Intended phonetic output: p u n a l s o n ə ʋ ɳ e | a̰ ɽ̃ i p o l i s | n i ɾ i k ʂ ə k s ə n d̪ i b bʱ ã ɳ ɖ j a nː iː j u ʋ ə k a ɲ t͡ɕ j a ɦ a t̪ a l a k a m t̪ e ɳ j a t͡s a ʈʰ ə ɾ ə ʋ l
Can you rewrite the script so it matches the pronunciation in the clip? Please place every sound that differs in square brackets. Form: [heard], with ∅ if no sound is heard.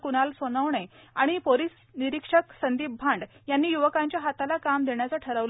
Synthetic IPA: [k] u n a l s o n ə ʋ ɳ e | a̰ ɽ̃ i p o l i s | n i ɾ i k ʂ ə k s ə n d̪ i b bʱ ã ɳ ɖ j a nː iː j u ʋ ə k a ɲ t͡ɕ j a ɦ a t̪ a l a k a m [d̪] e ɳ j a t͡s a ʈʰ ə ɾ ə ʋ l

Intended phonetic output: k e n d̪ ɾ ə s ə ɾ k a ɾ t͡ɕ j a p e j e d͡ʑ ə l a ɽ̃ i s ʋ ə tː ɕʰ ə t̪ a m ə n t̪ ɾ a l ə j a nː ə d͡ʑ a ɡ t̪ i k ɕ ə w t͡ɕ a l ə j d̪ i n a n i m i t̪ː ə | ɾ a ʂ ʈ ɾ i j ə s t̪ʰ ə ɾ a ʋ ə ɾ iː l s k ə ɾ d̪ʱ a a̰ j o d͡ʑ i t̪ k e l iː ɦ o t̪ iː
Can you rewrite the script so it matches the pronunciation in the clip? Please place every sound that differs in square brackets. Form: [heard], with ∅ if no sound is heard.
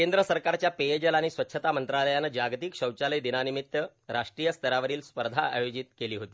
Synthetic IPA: k e n d̪ ɾ ə s ə ɾ k a ɾ t͡ɕ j a p e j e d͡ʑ ə l a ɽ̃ i s ʋ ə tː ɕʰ ə t̪ a m ə n t̪ ɾ a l ə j a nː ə d͡ʑ a ɡ t̪ i k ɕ ə w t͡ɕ a l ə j d̪ i n a n i m i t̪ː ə | ɾ a ʂ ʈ ɾ i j ə s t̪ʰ ə ɾ a ʋ ə ɾ iː l s [p] ə ɾ d̪ʱ a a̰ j o d͡ʑ i t̪ k e l iː ɦ o t̪ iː

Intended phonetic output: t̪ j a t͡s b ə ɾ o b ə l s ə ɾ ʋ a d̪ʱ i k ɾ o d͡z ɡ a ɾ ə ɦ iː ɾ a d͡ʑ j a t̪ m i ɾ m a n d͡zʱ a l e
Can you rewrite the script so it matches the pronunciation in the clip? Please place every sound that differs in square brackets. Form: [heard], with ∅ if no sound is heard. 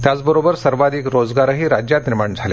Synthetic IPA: t̪ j a t͡s b ə ɾ o b ə [ɾ] s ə ɾ ʋ a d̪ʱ i k ɾ o d͡z ɡ a ɾ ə ɦ iː ɾ a d͡ʑ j a t̪ [n] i ɾ m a [ɳ] d͡zʱ a l e

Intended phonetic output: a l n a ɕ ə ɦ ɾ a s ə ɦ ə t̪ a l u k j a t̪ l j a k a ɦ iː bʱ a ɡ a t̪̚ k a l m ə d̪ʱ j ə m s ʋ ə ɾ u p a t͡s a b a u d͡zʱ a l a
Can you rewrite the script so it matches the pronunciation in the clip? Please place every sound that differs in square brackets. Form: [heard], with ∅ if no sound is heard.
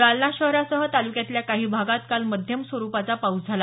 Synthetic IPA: a l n a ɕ ə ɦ ɾ a s ə ɦ ə t̪ a l u k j a t̪ l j a k a ɦ iː bʱ a ɡ a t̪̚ k a l m ə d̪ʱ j ə m s ʋ ə ɾ u p a t͡s a [p] a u d͡zʱ a l a

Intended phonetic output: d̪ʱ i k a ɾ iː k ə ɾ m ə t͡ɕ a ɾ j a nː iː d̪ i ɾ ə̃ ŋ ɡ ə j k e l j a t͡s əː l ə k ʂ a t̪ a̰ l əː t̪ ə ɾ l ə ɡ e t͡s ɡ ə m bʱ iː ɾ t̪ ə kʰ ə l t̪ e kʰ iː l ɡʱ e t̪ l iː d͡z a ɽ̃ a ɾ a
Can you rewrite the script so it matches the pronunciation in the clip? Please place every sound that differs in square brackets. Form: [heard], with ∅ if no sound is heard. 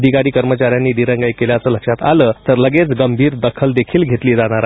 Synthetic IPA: d̪ʱ i k a ɾ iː k ə ɾ m ə t͡ɕ a ɾ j a nː iː d̪ i ɾ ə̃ ŋ ɡ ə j k e l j a t͡s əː l ə k ʂ a t̪ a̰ l əː t̪ ə ɾ l ə ɡ e t͡s ɡ ə m bʱ iː ɾ [d̪] ə kʰ ə l [d̪] e kʰ iː l ɡʱ e t̪ l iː d͡z a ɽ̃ a ɾ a

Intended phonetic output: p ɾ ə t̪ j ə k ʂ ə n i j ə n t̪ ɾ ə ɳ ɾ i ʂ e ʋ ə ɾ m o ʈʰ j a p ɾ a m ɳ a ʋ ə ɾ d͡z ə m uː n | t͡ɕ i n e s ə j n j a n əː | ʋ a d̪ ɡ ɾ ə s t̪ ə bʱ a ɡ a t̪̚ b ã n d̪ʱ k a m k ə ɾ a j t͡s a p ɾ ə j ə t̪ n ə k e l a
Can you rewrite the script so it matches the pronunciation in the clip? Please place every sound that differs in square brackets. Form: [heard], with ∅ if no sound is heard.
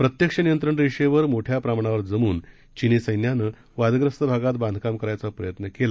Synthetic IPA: p ɾ ə t̪ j ə k ʂ ə n i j ə n t̪ ɾ ə ɳ ɾ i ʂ e ʋ ə ɾ m o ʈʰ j a p ɾ a m ɳ a ʋ ə ɾ d͡z ə m uː n | t͡ɕ i n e s ə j n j a n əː | ʋ a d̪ ɡ ɾ ə s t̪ ə bʱ a ɡ a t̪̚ b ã n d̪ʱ k a m k ə ɾ a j t͡s a p ɾ ə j ə t̪ n ə k e l a

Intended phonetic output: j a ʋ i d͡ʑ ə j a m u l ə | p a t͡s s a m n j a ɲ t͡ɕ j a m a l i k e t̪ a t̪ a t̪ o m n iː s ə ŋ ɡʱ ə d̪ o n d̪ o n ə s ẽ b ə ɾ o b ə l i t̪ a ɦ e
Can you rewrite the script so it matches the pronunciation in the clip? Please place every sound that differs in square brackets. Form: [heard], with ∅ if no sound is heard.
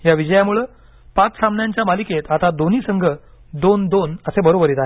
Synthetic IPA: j a ʋ i d͡ʑ ə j a m u [ɭ] ə | p a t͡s s a m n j a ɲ t͡ɕ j a m a l i k e t̪ a t̪ a [d̪] o [∅] n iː s ə ŋ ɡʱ ə d̪ o n d̪ o n ə s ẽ b ə ɾ o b ə [ɾ] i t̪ a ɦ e

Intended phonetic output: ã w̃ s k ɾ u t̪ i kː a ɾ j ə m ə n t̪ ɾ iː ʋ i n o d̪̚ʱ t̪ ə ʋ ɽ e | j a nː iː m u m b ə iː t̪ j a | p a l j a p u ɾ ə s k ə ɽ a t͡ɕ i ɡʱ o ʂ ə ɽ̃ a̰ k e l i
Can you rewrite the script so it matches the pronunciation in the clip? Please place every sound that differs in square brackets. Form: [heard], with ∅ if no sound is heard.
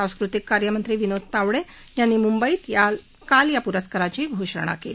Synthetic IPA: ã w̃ s k ɾ u t̪ i kː a ɾ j ə m ə n t̪ ɾ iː ʋ i n o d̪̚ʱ t̪ [a] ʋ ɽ e | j a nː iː m u m b ə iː t̪ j a | [k] a l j a p u ɾ ə s k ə [ɾ] a t͡ɕ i ɡʱ o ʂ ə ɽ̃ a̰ k e l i

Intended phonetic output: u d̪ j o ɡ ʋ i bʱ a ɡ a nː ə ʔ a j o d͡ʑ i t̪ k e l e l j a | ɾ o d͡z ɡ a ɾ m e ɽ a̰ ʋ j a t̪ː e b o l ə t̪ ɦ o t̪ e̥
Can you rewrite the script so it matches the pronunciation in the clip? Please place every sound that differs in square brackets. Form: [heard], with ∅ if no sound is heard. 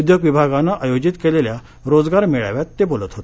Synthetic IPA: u d̪ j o ɡ ʋ i bʱ a ɡ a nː [a] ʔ a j o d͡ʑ i t̪ k e l e l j a | ɾ o d͡z ɡ a ɾ m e [ɭ] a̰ ʋ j a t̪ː e b o l ə t̪ ɦ o t̪ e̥

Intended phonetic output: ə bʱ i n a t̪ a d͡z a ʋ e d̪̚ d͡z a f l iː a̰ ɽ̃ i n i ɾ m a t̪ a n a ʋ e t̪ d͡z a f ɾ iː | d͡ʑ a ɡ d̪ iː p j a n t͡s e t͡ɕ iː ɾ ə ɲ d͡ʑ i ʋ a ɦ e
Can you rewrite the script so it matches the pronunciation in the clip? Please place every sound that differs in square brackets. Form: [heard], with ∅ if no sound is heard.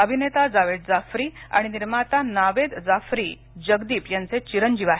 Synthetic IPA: ə bʱ i n [e] t̪ a d͡z a ʋ e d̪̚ d͡z a f [ɾ] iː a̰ ɽ̃ i n i ɾ m a t̪ a n a ʋ e [d̪] d͡z a f ɾ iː | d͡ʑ [ə] ɡ d̪ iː p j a n t͡s e t͡ɕ [i] ɾ ə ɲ d͡ʑ i ʋ a ɦ e

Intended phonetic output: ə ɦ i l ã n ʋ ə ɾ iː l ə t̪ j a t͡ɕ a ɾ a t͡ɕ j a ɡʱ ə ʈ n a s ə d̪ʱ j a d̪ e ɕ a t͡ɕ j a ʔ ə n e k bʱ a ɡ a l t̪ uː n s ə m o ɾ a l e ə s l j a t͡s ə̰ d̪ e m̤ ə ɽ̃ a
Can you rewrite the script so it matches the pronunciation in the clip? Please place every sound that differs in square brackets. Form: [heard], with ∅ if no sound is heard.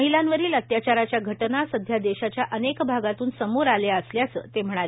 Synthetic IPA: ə ɦ i l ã n ʋ ə ɾ iː l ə t̪ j a t͡ɕ a ɾ a t͡ɕ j a ɡʱ ə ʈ n a s ə d̪ʱ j a d̪ e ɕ a t͡ɕ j a ʔ ə n e k bʱ a ɡ a [∅] t̪ uː n s ə m o ɾ a l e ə s l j a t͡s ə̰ [t̪] e m̤ ə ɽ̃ a

